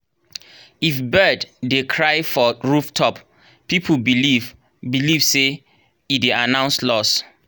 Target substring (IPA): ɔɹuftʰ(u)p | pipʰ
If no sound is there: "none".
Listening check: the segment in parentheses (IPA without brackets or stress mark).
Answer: ɔ